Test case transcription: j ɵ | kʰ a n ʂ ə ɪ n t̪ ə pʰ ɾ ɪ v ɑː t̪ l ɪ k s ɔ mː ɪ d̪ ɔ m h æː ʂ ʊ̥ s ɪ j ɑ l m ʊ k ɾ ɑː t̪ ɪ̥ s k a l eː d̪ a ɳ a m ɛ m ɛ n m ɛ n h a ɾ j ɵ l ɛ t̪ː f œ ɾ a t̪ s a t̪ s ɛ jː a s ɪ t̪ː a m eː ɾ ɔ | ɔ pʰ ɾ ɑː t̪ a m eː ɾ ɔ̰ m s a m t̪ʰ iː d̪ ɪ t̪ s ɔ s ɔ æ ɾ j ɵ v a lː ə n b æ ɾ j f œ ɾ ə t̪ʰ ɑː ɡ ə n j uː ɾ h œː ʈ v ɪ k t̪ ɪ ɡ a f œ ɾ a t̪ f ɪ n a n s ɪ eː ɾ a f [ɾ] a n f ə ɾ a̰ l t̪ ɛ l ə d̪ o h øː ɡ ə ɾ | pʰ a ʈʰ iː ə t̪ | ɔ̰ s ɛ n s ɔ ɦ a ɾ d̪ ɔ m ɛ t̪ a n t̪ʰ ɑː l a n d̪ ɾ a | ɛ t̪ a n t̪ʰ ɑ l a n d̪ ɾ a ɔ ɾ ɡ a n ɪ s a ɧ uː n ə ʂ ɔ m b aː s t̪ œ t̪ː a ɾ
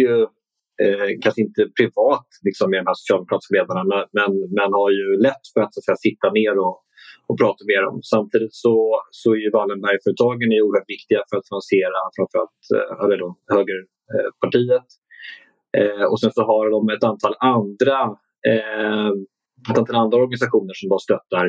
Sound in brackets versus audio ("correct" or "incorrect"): correct